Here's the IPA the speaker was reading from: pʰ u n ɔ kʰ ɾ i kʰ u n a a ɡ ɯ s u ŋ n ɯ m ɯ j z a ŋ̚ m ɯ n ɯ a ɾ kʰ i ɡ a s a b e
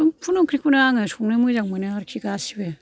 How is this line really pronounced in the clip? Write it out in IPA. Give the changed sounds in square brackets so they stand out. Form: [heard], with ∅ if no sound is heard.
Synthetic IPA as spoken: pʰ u n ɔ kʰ ɾ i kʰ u n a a [ŋ] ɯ s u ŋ n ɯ m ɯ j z a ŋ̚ m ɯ n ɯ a ɾ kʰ i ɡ a s [i] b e